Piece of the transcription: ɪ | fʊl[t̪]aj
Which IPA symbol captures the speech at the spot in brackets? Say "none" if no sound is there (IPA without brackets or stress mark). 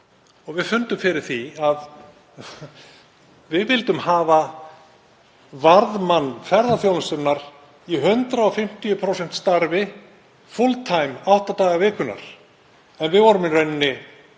t̪ʰ